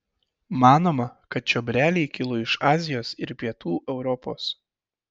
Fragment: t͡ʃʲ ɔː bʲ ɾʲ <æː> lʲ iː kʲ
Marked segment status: correct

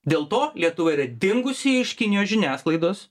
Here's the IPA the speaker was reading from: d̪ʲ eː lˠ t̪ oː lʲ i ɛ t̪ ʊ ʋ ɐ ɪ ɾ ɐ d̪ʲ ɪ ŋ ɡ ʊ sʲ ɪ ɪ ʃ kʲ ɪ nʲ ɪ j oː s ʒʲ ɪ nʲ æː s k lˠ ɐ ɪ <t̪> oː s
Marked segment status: incorrect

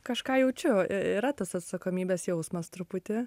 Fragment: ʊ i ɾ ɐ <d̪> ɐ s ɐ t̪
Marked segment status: incorrect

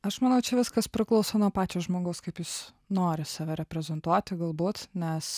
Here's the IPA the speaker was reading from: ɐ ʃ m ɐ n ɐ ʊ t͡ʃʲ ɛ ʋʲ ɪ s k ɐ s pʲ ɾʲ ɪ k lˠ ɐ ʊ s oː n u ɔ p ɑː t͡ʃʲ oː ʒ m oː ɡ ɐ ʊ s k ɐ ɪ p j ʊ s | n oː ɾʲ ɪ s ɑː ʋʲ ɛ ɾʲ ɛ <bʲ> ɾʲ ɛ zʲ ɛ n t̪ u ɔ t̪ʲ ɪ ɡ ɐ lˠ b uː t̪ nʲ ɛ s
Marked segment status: incorrect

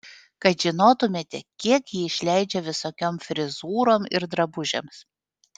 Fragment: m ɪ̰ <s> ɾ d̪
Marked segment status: incorrect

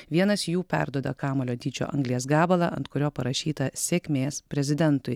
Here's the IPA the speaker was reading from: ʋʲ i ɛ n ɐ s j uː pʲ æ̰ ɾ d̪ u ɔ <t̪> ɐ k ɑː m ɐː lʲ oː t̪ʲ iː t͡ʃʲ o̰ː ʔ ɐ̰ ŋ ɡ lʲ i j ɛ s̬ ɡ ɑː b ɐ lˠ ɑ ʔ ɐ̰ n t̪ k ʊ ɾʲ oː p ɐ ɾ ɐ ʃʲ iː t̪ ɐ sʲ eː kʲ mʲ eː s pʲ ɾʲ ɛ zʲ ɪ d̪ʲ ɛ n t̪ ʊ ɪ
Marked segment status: incorrect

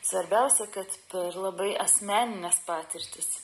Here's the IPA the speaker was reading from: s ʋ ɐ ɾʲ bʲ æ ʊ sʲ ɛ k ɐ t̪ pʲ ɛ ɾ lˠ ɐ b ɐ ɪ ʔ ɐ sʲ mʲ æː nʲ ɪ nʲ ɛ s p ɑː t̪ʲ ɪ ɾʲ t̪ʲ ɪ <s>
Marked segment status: correct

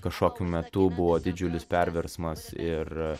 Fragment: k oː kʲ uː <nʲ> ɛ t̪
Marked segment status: incorrect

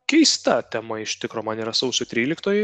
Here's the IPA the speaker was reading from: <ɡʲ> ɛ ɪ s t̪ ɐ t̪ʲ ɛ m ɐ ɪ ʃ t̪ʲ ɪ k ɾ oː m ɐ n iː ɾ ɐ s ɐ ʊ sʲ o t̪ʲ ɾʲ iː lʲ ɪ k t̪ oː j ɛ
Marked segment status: incorrect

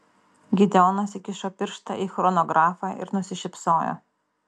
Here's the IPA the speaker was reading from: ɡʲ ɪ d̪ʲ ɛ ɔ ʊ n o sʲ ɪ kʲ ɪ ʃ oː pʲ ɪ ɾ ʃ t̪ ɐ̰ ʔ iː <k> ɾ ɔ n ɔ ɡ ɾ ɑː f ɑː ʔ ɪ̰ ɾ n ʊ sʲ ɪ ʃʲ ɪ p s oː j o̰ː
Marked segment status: incorrect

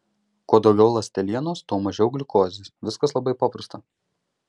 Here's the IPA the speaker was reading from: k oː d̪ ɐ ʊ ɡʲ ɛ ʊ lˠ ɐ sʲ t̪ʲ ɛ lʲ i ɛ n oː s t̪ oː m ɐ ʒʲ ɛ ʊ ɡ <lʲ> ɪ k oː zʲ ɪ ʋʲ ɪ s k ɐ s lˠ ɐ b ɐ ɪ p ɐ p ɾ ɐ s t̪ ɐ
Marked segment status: correct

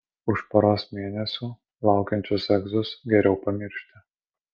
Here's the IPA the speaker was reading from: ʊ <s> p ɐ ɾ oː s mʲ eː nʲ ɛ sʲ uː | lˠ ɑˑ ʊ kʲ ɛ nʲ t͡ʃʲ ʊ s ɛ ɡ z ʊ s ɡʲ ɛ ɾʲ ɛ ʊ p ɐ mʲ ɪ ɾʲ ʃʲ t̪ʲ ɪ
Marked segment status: incorrect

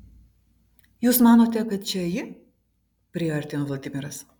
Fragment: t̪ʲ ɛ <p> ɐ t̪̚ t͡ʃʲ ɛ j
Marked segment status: incorrect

